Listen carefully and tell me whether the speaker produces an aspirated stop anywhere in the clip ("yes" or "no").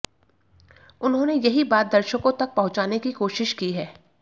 no